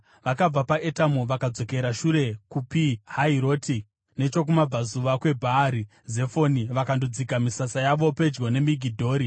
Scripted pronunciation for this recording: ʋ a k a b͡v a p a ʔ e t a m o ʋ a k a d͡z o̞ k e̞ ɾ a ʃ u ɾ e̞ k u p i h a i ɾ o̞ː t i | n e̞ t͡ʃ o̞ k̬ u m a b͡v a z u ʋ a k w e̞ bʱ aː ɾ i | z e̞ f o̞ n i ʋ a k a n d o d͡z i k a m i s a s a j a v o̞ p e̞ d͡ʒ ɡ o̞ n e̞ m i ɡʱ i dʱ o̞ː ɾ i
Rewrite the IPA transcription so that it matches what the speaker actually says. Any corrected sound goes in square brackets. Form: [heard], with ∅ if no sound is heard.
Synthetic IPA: ʋ a k a b͡v a p a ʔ e t a m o ʋ a k a d͡z o̞ k e̞ ɾ a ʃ u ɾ e̞ k u p i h a i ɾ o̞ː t i | n e̞ t͡ʃ o̞ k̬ u m a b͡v a z u ʋ a k w e̞ bʱ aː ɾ i | z e̞ f o̞ n i ʋ a k a n d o d͡z i k a m i s a s a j a [ʋ] o̞ p e̞ d͡ʒ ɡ o̞ n e̞ m i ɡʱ i dʱ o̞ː ɾ i